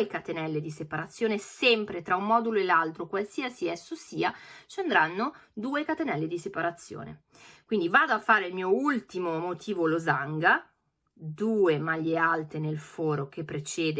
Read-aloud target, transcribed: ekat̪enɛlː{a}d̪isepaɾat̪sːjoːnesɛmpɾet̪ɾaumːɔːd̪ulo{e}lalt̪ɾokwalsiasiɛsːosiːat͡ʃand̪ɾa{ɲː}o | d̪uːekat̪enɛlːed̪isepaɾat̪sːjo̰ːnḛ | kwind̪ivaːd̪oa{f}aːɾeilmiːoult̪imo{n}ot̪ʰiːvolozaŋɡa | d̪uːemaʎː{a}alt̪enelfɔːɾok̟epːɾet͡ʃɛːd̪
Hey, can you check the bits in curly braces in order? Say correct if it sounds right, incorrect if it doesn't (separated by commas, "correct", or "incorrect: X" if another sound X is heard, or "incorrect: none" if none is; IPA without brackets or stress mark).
incorrect: e, correct, incorrect: nː, incorrect: fː, incorrect: m, incorrect: e